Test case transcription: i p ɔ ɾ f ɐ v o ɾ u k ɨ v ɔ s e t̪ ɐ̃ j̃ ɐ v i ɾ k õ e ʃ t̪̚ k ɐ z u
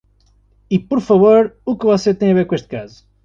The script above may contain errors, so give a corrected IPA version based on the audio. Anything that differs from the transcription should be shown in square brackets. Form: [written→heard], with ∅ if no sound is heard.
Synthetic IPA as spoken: i p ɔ ɾ f ɐ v o ɾ u k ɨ v ɔ s e t̪ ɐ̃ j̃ ɐ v [i→e] ɾ k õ e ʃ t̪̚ k [ɐ→a] z u